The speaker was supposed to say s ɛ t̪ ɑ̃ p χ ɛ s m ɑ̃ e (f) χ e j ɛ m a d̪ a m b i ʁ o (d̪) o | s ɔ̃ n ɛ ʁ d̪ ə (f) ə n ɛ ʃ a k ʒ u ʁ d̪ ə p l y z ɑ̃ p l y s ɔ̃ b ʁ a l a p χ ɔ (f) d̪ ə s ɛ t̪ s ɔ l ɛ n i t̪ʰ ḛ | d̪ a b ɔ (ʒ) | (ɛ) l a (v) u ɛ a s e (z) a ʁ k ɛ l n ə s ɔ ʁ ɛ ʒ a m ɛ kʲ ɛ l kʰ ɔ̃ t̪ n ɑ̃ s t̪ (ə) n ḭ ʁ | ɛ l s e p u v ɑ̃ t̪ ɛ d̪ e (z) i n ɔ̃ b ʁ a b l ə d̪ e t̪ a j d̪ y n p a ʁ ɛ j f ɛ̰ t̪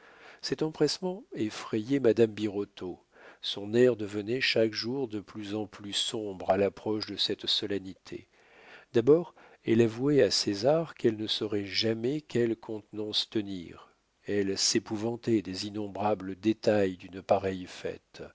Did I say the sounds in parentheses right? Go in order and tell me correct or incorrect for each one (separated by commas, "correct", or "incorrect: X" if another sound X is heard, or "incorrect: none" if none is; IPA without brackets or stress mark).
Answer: correct, incorrect: t̪, incorrect: v, incorrect: ʃ, incorrect: ʁ, correct, correct, correct, correct, correct